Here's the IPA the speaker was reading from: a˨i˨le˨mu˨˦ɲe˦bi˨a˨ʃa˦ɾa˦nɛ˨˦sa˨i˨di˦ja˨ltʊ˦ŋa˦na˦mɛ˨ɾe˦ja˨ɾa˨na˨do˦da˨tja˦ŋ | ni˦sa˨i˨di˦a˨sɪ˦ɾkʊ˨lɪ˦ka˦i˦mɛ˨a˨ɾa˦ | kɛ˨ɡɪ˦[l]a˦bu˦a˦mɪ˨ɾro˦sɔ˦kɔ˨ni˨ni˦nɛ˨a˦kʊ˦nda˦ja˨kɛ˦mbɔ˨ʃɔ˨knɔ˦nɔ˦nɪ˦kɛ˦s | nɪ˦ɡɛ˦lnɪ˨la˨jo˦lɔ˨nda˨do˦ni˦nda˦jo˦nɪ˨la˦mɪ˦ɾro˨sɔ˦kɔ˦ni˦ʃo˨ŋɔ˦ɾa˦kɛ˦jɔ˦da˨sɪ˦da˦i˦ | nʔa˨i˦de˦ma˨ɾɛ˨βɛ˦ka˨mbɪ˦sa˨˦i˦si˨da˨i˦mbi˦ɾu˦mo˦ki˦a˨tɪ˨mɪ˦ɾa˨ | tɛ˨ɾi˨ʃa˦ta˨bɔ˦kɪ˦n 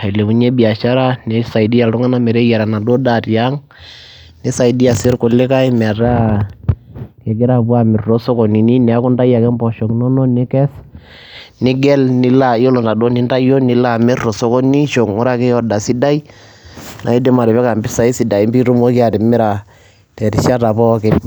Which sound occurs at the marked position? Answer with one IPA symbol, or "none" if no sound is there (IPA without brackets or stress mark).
ɾ